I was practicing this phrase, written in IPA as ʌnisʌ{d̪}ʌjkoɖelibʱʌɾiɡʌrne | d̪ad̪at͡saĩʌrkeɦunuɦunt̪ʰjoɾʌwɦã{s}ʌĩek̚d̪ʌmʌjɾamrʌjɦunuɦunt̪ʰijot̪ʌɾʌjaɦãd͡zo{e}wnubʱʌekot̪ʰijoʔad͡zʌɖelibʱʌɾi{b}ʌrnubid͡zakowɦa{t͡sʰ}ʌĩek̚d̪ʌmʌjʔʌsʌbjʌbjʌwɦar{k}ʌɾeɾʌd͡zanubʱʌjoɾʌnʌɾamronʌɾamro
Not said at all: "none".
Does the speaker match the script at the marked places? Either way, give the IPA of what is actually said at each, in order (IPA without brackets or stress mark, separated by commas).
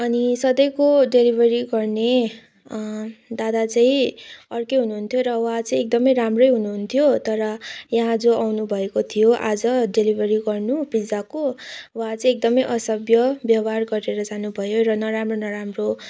d̪, t͡s, a, ɡ, t͡s, ɡ